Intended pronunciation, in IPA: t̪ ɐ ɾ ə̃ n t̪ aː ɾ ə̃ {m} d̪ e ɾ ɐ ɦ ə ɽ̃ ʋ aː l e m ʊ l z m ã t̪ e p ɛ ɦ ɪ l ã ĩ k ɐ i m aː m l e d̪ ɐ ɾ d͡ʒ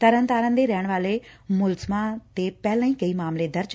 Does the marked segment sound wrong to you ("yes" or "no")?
yes